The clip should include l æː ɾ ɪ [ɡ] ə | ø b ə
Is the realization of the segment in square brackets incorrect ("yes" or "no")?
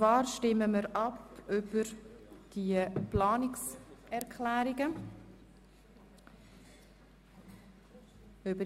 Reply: no